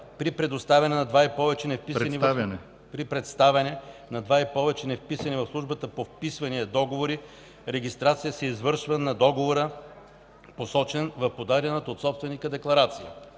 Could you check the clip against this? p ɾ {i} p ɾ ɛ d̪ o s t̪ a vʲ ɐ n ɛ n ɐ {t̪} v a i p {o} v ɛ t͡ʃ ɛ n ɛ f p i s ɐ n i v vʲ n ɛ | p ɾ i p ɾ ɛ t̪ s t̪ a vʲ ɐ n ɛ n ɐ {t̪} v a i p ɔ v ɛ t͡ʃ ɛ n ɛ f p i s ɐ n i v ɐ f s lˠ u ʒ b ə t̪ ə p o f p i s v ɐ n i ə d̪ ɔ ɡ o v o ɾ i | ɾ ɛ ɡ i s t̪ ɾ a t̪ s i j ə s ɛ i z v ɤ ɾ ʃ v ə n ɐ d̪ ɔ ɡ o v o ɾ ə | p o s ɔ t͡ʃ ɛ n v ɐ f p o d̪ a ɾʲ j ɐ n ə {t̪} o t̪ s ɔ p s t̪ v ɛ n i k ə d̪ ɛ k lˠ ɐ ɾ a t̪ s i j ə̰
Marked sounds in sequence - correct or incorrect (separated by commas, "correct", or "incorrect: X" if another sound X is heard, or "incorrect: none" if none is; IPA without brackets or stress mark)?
correct, incorrect: d̪, incorrect: ɔ, incorrect: d̪, correct